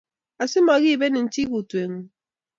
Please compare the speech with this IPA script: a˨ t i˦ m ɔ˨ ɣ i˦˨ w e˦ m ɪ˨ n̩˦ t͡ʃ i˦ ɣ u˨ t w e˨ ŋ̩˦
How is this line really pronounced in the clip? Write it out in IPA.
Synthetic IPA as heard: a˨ s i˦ m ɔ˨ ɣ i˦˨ b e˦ n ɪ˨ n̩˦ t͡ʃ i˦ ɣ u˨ t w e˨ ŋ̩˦